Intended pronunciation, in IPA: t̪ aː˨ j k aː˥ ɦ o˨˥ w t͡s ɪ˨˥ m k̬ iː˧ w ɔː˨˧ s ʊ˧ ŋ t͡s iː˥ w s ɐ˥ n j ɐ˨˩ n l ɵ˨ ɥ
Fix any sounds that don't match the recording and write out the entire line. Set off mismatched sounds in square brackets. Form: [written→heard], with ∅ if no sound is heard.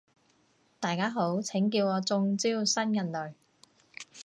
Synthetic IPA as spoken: t̪ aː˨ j k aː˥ ɦ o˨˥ w [t͡s→t͡sʰ] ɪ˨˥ [m→ŋ] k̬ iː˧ w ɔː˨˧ [s→t͡s] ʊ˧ ŋ t͡s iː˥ w s ɐ˥ n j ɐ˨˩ n l ɵ˨ ɥ